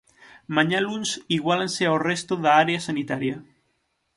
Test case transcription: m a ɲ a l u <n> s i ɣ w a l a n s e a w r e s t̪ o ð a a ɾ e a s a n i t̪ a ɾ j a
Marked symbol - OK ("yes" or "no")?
yes